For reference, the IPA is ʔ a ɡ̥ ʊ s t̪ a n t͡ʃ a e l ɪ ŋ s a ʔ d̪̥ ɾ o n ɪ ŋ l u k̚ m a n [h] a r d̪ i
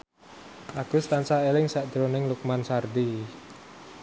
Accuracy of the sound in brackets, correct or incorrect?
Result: incorrect